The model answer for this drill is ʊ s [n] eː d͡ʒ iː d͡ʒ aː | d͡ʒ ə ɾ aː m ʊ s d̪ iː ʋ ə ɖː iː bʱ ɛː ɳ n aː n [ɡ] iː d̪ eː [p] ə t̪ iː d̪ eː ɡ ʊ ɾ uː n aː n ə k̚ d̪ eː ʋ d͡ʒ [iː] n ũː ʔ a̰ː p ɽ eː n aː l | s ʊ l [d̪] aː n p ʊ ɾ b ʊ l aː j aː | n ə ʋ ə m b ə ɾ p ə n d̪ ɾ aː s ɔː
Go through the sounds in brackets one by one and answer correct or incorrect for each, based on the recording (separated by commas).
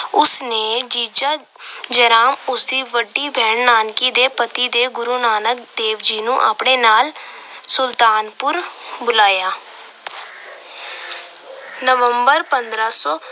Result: correct, incorrect, correct, correct, incorrect